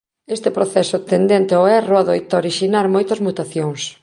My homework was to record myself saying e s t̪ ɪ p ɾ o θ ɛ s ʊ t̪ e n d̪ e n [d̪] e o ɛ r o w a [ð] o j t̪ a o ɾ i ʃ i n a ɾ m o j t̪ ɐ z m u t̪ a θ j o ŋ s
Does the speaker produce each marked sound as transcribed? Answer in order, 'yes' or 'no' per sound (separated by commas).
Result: no, yes